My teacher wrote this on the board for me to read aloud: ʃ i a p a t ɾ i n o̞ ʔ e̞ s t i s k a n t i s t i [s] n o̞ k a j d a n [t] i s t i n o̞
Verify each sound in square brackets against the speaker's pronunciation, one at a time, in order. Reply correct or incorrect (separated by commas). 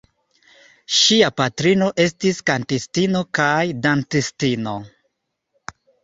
incorrect, correct